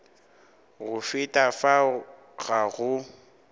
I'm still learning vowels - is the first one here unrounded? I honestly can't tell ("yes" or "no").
no